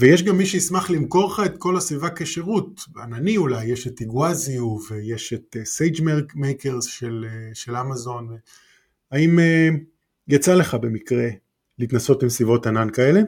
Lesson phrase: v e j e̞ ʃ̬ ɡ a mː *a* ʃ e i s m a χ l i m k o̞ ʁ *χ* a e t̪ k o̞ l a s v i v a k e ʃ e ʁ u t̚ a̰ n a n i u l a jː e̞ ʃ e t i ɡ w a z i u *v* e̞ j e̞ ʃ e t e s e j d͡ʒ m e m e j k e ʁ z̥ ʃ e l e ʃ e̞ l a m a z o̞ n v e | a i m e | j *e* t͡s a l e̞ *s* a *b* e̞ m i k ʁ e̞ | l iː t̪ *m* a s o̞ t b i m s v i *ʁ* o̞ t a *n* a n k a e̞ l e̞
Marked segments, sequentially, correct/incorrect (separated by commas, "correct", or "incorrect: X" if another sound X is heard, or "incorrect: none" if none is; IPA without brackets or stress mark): incorrect: i, correct, correct, incorrect: a, incorrect: χ, correct, incorrect: n, incorrect: v, correct